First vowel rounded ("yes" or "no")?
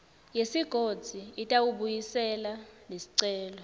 no